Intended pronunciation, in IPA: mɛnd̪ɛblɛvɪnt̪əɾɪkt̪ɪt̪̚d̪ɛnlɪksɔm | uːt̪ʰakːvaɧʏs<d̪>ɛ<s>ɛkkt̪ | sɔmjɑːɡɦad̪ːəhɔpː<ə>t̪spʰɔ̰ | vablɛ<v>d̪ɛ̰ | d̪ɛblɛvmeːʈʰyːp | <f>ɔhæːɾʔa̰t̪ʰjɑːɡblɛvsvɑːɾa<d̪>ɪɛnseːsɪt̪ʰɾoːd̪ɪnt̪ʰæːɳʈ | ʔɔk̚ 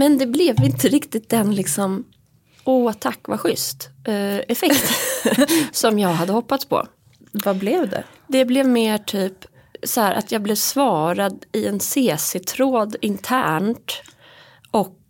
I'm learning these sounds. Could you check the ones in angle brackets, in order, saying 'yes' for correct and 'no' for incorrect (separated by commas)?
no, no, no, yes, no, yes